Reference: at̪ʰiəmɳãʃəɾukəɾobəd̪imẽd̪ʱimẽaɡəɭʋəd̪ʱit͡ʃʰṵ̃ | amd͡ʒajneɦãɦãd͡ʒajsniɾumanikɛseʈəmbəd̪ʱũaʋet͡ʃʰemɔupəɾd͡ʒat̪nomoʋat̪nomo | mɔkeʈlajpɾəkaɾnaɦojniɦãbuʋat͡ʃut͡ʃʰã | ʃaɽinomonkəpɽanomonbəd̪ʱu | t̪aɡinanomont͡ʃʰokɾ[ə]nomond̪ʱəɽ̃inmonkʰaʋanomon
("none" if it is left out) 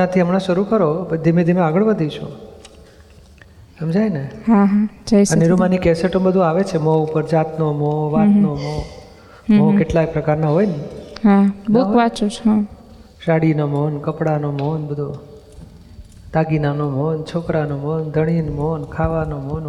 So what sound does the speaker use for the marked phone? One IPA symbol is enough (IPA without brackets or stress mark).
a